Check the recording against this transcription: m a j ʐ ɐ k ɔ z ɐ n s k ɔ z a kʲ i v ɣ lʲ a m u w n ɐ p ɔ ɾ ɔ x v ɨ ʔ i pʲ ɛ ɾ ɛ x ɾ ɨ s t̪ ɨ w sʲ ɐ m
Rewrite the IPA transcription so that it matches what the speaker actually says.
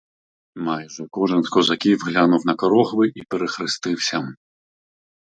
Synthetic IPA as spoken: m a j ʐ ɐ k ɔ ʐ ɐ n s k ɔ z a kʲ i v ɣ lʲ a n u w n ɐ k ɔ ɾ ɔ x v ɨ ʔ i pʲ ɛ ɾ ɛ x ɾ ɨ s t̪ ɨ w sʲ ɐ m